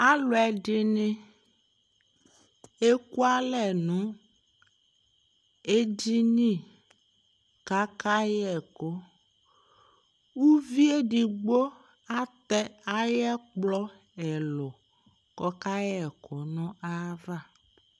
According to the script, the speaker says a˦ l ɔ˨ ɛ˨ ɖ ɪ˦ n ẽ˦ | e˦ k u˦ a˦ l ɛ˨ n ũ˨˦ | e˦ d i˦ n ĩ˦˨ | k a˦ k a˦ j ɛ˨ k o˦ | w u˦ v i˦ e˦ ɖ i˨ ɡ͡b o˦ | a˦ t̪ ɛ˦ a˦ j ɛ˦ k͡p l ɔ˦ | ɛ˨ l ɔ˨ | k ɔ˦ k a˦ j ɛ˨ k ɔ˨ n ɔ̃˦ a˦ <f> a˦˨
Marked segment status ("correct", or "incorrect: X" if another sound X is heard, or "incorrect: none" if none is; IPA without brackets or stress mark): incorrect: v